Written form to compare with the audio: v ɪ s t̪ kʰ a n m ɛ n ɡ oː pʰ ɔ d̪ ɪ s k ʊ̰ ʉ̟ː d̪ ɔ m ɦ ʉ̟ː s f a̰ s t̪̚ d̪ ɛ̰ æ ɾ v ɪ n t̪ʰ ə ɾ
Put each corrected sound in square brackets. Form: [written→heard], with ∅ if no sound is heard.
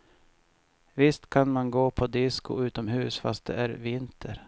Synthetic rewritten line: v ɪ s t̪ kʰ a n m [ɛ→a] n ɡ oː pʰ ɔ d̪ ɪ s k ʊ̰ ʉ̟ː [d̪→t̪] ɔ m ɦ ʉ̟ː s f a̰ s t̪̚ d̪ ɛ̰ æ ɾ v ɪ n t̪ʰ ə ɾ